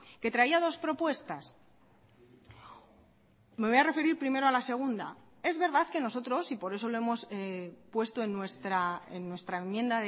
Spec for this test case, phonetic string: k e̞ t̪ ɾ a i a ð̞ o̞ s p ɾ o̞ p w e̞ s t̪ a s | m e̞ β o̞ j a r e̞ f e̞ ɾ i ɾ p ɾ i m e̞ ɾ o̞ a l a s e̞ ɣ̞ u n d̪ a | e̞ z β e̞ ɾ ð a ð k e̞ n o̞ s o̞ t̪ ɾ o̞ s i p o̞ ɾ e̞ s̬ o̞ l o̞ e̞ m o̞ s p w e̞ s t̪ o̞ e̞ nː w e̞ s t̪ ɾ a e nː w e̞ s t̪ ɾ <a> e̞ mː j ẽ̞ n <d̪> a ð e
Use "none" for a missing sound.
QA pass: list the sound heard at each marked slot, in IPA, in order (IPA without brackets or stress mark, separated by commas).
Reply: a, d̪